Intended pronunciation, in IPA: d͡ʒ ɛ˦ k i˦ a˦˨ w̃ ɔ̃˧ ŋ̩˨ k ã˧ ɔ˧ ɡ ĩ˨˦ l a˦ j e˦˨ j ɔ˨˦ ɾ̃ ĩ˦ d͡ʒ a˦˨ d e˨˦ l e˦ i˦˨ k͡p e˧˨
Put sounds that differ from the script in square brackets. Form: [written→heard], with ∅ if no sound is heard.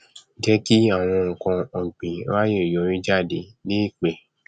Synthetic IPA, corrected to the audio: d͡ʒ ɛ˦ k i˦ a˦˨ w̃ ɔ̃˧ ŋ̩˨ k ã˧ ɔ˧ [ɡ→ɡ͡b] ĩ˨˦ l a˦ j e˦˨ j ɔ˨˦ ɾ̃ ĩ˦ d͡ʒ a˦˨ d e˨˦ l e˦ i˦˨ k͡p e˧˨